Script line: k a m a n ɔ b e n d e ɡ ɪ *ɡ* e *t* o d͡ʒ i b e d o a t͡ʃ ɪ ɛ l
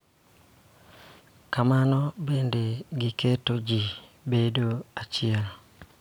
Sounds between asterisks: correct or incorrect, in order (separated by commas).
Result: incorrect, correct